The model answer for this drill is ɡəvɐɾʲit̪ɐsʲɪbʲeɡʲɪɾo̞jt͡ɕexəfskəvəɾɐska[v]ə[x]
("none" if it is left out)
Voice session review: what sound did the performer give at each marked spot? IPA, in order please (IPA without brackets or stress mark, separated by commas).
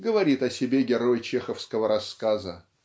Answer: z, none